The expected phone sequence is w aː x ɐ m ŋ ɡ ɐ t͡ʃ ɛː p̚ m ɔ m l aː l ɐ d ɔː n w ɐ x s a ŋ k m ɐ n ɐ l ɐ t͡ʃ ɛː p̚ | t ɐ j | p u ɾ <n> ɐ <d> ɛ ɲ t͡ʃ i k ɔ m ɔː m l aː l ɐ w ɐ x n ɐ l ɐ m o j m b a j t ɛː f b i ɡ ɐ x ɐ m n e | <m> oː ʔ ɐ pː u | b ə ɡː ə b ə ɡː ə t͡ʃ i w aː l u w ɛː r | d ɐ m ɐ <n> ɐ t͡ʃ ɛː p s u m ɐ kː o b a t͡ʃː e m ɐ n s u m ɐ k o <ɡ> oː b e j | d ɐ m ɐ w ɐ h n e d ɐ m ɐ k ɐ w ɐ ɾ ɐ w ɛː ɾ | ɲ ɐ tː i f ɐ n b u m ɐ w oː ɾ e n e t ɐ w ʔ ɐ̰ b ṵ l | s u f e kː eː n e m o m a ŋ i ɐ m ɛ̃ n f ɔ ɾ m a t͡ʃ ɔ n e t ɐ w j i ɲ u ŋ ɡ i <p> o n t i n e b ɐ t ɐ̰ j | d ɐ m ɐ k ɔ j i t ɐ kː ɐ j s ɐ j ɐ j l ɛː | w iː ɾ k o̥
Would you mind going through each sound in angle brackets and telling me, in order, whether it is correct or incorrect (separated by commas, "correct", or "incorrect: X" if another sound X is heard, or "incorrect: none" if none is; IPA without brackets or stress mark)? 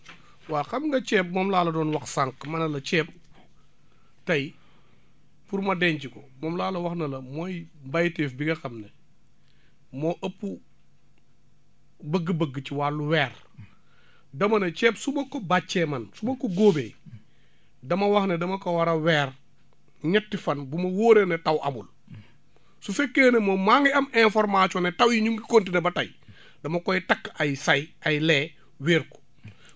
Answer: incorrect: m, correct, correct, correct, correct, incorrect: k